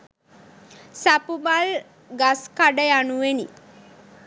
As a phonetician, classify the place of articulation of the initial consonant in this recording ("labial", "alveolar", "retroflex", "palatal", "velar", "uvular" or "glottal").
alveolar